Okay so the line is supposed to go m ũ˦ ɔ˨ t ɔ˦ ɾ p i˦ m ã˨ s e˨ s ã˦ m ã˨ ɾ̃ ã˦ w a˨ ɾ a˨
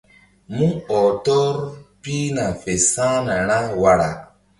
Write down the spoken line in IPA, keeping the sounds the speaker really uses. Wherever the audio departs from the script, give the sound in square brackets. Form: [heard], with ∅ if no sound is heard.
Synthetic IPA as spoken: m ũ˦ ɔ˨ t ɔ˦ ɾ p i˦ [n] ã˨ [f] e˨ s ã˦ [n] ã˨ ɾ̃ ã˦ w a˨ ɾ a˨